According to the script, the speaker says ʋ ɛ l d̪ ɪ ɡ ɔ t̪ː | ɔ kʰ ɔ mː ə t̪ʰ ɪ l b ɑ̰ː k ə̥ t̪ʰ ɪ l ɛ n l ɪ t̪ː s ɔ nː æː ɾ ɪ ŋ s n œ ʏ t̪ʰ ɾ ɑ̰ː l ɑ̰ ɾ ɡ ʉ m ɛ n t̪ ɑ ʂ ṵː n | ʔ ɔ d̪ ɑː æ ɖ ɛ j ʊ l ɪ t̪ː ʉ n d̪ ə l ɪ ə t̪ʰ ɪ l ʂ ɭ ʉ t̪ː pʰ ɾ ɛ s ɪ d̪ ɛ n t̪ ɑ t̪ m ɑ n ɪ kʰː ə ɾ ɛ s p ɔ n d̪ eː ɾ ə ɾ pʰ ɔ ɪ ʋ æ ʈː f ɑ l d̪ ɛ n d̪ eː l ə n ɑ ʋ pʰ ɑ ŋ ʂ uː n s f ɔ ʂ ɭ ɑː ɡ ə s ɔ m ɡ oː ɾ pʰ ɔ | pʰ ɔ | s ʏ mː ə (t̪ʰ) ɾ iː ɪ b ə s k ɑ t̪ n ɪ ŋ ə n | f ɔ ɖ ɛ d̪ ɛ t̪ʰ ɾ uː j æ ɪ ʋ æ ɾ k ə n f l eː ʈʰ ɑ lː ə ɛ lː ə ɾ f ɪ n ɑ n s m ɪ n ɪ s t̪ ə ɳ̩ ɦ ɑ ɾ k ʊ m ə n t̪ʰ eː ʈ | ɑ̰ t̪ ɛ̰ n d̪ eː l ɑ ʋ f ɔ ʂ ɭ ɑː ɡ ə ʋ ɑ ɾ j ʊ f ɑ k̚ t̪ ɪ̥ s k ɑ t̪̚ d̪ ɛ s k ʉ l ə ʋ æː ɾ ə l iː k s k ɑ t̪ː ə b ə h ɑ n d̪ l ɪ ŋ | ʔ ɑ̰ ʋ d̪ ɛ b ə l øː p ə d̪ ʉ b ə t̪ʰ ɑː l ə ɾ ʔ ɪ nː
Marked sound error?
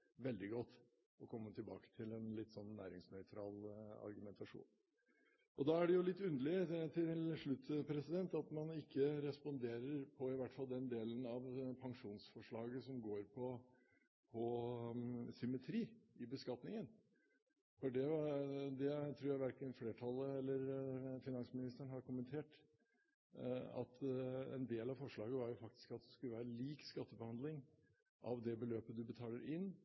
no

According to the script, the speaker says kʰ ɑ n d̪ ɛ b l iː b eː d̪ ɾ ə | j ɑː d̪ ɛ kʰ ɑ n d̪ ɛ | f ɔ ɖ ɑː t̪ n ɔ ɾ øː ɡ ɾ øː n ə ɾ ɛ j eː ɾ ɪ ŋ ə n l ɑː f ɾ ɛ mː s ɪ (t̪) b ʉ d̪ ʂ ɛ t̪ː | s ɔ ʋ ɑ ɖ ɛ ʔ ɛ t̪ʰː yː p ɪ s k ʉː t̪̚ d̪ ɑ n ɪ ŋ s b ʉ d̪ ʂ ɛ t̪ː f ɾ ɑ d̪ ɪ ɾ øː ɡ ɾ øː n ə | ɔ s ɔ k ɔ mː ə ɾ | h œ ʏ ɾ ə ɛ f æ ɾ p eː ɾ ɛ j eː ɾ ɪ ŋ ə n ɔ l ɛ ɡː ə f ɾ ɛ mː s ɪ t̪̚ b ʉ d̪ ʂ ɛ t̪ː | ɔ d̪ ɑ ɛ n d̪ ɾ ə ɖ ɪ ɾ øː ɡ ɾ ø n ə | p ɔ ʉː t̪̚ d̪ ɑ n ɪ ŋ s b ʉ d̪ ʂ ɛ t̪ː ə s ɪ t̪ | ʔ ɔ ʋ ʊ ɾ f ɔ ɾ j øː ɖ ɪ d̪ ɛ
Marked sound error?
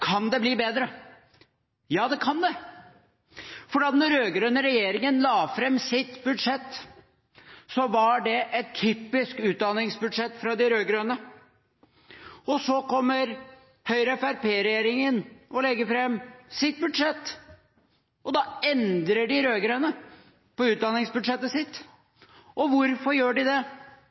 no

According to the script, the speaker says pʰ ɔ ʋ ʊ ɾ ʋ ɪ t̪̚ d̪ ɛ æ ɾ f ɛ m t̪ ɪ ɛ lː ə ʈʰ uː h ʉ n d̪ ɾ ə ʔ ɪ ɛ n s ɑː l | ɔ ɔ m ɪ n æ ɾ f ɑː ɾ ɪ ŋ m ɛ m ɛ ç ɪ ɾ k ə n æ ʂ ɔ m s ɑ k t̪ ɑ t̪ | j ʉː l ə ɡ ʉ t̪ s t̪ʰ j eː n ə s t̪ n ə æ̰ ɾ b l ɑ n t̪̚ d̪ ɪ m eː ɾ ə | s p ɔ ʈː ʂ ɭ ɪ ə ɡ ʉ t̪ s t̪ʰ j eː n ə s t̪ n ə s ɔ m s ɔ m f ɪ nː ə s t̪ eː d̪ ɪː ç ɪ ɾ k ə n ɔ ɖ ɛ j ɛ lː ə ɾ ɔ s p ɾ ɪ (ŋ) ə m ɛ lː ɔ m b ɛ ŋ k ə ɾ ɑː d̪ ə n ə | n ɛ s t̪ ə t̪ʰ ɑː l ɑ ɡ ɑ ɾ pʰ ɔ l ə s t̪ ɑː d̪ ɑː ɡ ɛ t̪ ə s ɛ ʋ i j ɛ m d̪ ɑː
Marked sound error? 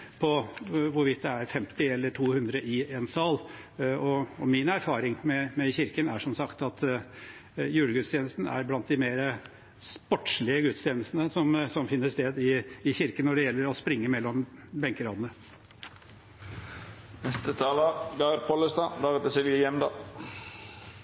yes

